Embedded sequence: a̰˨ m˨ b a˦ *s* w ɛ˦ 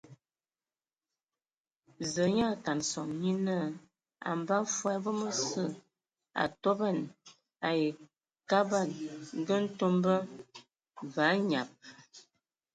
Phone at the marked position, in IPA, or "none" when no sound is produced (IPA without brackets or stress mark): f